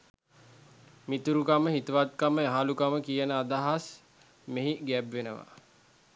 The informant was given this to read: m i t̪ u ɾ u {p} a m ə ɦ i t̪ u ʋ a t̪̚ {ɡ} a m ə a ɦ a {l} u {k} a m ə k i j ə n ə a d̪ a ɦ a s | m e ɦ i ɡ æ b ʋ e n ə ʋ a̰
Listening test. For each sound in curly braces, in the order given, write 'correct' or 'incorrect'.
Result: incorrect: k, incorrect: k, correct, correct

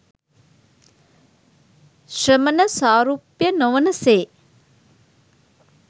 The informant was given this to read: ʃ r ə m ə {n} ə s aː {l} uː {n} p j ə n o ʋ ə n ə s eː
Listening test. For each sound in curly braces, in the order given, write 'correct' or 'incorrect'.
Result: correct, incorrect: ɾ, incorrect: none

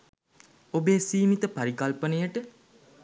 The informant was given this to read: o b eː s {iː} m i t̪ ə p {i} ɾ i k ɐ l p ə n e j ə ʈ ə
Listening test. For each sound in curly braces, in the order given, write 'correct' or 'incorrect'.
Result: correct, incorrect: a

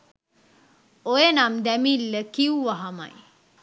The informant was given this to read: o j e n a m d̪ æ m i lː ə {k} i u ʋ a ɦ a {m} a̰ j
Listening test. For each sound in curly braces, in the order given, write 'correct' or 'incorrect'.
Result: correct, correct

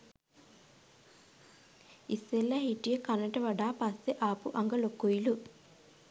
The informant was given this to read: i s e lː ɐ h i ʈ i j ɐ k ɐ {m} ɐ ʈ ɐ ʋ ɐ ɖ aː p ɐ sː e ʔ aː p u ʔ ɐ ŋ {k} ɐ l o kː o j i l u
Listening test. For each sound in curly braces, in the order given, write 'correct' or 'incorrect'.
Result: incorrect: n, incorrect: ɡ

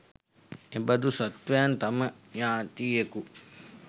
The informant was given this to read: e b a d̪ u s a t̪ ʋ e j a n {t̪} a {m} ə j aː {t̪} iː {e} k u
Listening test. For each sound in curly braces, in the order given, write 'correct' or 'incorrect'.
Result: correct, correct, correct, correct

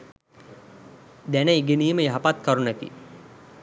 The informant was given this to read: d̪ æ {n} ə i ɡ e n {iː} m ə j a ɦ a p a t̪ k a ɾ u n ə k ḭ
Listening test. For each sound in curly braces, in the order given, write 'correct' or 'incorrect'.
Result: correct, correct

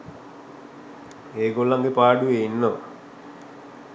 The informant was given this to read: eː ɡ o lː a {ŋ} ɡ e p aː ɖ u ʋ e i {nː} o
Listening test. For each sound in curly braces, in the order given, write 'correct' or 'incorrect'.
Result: correct, correct

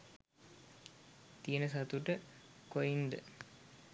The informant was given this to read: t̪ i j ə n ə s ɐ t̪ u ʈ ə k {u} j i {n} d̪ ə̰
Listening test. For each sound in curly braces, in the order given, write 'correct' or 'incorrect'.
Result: incorrect: o, correct

